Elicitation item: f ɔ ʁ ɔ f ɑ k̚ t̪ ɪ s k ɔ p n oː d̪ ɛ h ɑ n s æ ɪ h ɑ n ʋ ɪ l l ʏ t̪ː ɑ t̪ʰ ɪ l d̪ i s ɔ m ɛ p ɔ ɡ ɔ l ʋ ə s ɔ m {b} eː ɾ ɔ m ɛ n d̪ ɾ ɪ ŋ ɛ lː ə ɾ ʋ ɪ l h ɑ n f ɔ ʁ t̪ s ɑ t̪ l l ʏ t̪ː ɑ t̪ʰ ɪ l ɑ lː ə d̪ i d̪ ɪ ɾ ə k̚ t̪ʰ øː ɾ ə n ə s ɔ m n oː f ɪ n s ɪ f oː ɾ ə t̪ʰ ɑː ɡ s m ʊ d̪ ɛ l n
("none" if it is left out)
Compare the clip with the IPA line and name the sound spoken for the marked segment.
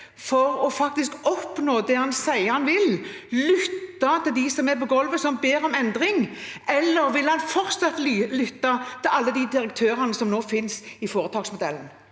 b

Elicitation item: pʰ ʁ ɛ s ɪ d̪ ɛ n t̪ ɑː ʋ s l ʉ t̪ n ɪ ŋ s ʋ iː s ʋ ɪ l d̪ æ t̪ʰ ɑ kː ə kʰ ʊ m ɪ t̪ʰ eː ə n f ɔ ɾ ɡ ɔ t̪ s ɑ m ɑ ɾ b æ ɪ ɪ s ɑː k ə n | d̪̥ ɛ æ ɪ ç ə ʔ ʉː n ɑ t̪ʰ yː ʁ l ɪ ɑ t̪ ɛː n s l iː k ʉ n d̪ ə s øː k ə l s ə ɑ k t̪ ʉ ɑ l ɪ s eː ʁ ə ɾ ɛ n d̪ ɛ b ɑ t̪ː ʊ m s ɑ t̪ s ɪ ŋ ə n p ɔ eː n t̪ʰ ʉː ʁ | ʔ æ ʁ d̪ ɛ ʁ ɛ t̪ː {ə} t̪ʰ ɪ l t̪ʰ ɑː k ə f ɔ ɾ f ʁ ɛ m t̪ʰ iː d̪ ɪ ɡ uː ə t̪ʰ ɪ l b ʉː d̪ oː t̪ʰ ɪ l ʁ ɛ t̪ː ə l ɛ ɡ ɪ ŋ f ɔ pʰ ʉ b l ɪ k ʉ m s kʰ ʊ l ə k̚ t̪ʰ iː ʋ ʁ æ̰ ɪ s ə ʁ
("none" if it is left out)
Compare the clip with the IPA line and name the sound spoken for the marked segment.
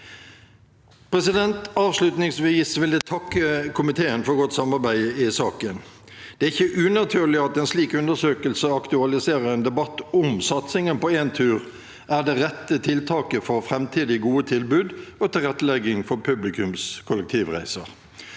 ə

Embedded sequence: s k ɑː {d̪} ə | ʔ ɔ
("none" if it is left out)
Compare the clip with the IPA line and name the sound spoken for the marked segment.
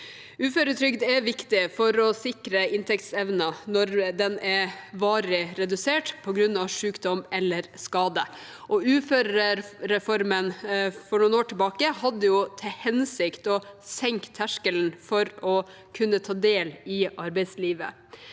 d̪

